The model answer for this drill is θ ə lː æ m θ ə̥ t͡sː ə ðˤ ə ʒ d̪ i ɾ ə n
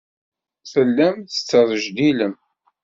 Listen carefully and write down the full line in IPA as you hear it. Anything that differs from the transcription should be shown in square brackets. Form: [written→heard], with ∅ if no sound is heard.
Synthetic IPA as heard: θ ə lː æ m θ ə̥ t͡sː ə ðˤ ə ʒ d̪ i [ɾ→l] ə [n→m]